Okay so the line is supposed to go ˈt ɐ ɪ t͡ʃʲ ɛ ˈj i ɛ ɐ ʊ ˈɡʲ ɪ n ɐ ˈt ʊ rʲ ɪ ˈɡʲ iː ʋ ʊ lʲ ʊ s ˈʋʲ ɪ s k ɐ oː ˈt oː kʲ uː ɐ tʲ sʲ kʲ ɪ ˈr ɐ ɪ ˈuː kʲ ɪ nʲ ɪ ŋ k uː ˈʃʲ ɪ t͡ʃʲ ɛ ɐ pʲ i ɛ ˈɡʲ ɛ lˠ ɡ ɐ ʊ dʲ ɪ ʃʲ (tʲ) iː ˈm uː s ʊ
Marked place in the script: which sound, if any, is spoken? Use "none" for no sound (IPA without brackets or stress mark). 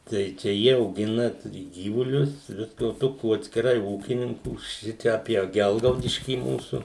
kʲ